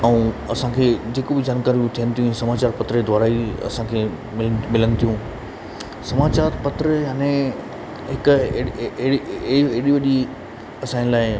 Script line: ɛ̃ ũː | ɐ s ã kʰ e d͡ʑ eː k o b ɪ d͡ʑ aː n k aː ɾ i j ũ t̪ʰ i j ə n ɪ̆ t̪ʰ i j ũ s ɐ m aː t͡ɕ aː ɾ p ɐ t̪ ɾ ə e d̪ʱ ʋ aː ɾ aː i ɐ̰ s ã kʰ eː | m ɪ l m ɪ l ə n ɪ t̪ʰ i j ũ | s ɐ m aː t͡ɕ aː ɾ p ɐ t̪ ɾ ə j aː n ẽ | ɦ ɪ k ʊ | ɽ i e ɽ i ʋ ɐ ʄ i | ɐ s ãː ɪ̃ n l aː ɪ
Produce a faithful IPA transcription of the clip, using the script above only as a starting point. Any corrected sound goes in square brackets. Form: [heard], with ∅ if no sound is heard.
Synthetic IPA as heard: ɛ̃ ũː | ɐ s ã kʰ e d͡ʑ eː k o b ɪ d͡ʑ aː n k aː ɾ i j ũ t̪ʰ i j ə n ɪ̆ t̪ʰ i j ũ s ɐ m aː t͡ɕ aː ɾ p ɐ t̪ ɾ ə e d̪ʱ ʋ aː ɾ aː i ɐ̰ s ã kʰ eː | m ɪ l m ɪ l ə n ɪ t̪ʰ i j ũ | s ɐ m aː t͡ɕ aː ɾ p ɐ t̪ ɾ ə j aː n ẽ | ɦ ɪ k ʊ | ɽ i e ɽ i ʋ ɐ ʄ i | ɐ s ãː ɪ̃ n l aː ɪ

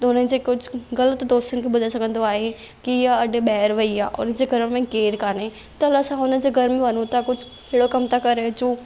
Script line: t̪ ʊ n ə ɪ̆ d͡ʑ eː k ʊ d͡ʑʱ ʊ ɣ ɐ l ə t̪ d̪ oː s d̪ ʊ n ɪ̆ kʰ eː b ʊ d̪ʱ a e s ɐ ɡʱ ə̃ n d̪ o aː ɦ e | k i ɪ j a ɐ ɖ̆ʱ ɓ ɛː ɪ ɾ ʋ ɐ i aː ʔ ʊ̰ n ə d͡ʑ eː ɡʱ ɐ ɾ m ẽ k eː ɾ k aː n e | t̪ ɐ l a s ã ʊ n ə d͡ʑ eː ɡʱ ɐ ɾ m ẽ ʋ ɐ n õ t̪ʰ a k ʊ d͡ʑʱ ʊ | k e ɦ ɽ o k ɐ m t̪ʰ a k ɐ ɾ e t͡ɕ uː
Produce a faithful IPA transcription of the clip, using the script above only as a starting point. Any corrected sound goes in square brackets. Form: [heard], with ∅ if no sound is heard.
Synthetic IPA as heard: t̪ ʊ n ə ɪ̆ d͡ʑ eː k ʊ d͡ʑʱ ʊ ɣ ɐ l ə t̪ d̪ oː s [t̪] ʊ n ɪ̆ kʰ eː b ʊ d̪ʱ a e s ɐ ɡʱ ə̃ n d̪ o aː ɦ e | k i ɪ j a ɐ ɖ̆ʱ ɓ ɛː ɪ ɾ ʋ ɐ i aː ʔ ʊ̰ n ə d͡ʑ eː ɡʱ ɐ ɾ m ẽ k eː ɾ k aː n e | t̪ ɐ l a s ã ʊ n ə d͡ʑ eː ɡʱ ɐ ɾ m ẽ ʋ ɐ n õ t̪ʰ a k ʊ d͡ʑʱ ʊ | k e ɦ ɽ o k ɐ m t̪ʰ a k ɐ ɾ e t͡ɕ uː

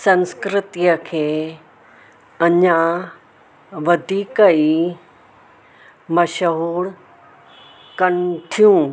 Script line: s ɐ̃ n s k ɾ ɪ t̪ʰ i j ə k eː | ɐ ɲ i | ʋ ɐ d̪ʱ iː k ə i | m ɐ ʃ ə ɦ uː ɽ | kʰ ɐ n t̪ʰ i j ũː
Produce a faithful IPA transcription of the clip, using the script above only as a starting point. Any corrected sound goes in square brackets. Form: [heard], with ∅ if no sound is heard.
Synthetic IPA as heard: s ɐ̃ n s k ɾ ɪ [t̪] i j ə [kʰ] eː | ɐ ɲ [a] | ʋ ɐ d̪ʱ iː k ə i | m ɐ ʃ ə ɦ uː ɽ | [k] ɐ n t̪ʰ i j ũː

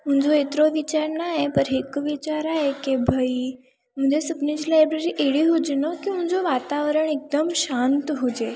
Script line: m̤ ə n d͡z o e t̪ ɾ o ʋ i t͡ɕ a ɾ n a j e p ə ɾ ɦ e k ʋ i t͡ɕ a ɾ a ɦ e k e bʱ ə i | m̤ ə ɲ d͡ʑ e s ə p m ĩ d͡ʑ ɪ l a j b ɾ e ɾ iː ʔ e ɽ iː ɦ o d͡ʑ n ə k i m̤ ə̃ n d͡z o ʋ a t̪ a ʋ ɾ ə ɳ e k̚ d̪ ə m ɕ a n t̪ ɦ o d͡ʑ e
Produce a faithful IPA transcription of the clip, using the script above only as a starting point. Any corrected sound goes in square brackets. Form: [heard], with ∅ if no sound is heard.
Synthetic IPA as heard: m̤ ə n d͡z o e t̪ ɾ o ʋ i t͡ɕ a ɾ n a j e p ə ɾ ɦ e k ʋ i t͡ɕ a ɾ a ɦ e k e bʱ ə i | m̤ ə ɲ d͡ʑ e s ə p [n] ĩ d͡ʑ [i] l a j b ɾ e ɾ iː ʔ e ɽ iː ɦ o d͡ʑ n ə k i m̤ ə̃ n d͡z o ʋ a t̪ a ʋ ɾ ə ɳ e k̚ d̪ ə m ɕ a n t̪ ɦ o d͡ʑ e

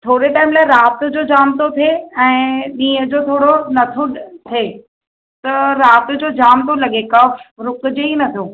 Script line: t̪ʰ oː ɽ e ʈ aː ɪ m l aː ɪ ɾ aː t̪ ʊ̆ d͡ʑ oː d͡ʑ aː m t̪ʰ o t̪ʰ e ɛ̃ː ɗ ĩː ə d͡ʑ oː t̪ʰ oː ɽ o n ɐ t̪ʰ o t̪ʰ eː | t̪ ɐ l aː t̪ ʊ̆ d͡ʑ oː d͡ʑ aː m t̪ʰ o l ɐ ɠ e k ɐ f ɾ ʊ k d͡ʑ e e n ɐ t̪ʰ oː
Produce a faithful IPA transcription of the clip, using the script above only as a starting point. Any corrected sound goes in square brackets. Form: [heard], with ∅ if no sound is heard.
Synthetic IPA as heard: t̪ʰ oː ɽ e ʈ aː ɪ m l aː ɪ ɾ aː t̪ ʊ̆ d͡ʑ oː d͡ʑ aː m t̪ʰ o t̪ʰ e ɛ̃ː ɗ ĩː ə d͡ʑ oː t̪ʰ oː ɽ o n ɐ t̪ʰ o t̪ʰ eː | t̪ ɐ [ɾ] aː t̪ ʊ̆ d͡ʑ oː d͡ʑ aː m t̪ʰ o l ɐ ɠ e k ɐ f ɾ ʊ k d͡ʑ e [i] n ɐ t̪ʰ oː

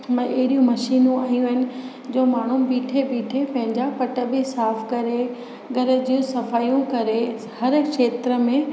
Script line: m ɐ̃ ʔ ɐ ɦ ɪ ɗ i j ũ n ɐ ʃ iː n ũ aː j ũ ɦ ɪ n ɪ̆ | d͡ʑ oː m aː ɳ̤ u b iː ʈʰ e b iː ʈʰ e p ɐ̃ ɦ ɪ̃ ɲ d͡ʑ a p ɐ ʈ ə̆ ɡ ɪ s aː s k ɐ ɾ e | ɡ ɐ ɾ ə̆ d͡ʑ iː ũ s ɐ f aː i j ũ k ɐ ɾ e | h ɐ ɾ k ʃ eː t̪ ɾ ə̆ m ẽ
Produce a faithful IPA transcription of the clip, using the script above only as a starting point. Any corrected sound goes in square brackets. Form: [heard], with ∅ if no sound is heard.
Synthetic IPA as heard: m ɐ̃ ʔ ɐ ɦ ɪ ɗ i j ũ [m] ɐ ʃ iː n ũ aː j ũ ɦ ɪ n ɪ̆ | d͡ʑ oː m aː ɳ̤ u b iː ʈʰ e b iː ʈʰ e p ɐ̃ ɦ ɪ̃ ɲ d͡ʑ a p ɐ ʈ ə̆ [b] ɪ s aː [f] k ɐ ɾ e | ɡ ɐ ɾ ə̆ d͡ʑ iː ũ s ɐ f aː i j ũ k ɐ ɾ e | h ɐ ɾ k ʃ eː t̪ ɾ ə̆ m ẽ

